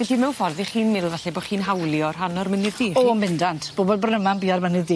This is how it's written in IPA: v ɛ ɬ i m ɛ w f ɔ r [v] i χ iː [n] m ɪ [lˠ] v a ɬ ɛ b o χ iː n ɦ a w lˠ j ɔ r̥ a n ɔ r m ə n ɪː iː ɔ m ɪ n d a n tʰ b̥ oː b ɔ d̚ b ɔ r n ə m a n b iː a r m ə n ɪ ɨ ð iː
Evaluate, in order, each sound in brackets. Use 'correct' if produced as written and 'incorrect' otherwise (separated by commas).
incorrect, correct, correct